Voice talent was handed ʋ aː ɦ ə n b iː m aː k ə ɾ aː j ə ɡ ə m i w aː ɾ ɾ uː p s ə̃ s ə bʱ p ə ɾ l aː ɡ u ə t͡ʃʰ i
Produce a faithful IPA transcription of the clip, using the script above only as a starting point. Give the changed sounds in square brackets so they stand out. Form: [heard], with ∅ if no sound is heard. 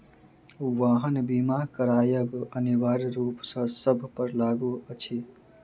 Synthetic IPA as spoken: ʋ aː ɦ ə n b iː m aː k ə ɾ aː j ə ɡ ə [n] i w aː ɾ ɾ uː p s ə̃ s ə bʱ p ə ɾ l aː ɡ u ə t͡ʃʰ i